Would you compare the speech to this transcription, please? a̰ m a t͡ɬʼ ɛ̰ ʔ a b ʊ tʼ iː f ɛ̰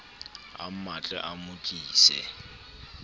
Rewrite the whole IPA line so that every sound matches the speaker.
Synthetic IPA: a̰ m a t͡ɬʼ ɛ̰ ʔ a m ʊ kʼ iː s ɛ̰